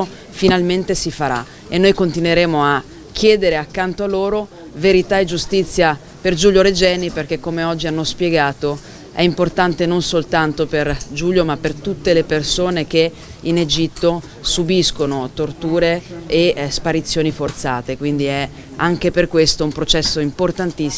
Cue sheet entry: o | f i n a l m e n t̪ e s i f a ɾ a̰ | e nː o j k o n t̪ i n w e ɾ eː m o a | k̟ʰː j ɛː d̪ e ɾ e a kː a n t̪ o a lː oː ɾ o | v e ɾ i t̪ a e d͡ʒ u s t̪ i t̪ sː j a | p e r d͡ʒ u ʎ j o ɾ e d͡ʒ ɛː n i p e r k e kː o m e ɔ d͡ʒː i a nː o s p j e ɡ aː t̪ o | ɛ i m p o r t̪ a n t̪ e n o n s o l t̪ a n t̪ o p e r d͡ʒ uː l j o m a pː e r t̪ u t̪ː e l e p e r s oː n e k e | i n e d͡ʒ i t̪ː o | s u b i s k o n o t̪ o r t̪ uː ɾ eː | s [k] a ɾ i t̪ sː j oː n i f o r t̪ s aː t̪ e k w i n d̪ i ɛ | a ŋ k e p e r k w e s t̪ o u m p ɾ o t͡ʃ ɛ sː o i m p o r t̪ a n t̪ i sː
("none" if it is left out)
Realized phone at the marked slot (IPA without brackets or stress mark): p